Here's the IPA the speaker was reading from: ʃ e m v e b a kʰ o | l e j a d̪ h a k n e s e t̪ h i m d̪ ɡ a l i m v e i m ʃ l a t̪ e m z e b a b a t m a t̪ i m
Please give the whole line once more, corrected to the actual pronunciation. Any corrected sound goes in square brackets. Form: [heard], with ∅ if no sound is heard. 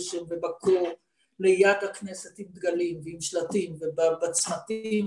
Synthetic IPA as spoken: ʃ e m v e b a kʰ o | l e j a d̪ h a k n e s e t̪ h i m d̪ ɡ a l i m v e i m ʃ l a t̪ [i] m [v] e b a b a [t͡s] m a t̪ i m